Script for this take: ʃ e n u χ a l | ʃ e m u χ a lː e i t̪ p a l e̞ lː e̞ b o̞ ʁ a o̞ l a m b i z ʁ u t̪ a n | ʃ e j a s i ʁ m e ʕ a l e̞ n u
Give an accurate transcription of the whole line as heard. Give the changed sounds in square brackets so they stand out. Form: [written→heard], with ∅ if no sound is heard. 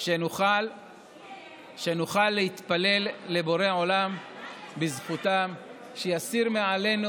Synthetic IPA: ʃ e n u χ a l | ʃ e [m→n] u χ a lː e i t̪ p a l e̞ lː e̞ b o̞ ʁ [a→e] o̞ l a m b i z [ʁ→χ] u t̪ a [n→m] | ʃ e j a s i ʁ m e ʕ a l e̞ n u